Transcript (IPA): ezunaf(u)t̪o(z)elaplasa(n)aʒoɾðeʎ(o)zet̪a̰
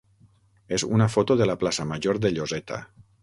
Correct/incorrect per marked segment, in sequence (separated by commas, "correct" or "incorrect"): incorrect, incorrect, incorrect, correct